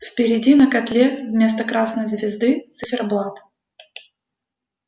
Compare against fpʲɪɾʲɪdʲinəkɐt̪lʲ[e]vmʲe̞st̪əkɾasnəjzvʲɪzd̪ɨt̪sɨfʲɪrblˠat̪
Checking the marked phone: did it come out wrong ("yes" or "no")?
no